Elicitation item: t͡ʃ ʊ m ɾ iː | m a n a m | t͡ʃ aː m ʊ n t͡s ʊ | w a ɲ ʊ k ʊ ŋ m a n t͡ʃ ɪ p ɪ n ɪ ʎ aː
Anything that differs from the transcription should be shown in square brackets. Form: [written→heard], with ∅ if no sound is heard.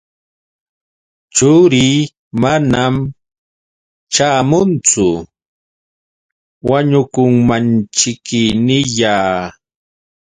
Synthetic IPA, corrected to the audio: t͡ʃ ʊ [m→∅] ɾ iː | m a n a m | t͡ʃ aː m ʊ n t͡s ʊ | w a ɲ ʊ k ʊ ŋ m a n t͡ʃ ɪ [p→k] ɪ n ɪ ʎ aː